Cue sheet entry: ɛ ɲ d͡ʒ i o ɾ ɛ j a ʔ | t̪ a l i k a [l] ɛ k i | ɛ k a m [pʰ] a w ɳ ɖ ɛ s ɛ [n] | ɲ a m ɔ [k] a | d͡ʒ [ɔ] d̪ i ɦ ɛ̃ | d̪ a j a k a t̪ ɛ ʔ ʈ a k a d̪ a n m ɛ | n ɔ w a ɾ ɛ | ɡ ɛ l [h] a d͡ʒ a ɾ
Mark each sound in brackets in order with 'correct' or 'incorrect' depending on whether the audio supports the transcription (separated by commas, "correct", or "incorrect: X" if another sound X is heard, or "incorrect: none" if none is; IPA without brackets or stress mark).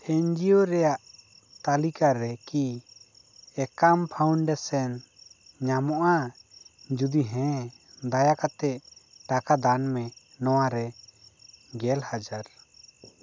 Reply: incorrect: ɾ, correct, correct, incorrect: ʔ, incorrect: u, correct